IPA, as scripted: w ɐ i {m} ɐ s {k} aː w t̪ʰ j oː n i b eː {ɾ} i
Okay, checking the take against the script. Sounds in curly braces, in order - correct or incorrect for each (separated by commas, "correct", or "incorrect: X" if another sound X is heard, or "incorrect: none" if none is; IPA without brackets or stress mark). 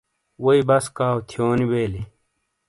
incorrect: b, correct, incorrect: l